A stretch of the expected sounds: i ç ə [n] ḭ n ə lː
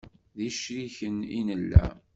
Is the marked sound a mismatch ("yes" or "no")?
no